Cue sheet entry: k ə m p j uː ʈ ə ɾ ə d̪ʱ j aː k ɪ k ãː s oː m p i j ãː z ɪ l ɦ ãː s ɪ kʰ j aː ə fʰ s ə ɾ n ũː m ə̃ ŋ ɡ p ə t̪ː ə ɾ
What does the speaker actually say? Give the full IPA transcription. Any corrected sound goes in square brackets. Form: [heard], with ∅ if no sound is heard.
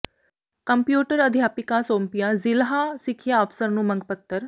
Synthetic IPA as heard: k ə m p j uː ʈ ə ɾ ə d̪ʱ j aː [p] ɪ k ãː s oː m p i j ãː z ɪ l ɦ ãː s ɪ kʰ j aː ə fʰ s ə ɾ n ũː m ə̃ ŋ ɡ p ə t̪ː ə ɾ